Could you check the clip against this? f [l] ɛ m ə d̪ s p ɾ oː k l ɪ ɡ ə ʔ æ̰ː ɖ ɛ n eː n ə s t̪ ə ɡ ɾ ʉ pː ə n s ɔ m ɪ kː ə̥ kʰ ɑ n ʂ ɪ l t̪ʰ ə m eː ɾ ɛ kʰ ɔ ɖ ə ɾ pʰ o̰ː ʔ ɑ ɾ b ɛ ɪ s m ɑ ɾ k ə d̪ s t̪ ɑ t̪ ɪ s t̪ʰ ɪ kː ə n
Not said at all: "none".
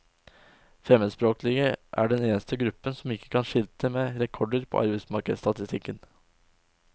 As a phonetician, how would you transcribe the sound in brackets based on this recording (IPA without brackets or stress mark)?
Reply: ɾ